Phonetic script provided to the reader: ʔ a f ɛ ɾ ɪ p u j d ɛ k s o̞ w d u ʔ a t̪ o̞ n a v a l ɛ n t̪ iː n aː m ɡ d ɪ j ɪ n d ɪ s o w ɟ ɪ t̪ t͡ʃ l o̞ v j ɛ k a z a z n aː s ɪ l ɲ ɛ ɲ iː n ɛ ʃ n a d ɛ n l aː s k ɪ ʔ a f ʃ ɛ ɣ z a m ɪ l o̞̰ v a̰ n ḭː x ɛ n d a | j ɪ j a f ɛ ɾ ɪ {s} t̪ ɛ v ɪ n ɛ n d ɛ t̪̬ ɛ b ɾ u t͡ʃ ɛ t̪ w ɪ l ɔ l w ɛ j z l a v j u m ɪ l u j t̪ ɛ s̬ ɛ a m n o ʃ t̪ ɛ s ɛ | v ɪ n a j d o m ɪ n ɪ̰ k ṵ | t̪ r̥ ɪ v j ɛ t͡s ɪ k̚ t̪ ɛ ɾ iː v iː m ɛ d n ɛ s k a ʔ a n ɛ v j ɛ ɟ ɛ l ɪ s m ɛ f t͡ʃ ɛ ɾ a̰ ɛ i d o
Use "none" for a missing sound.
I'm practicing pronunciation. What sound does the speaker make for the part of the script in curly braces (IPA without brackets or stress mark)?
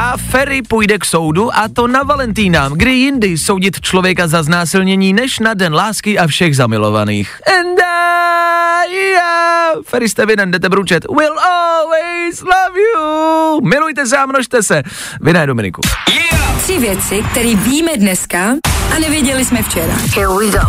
s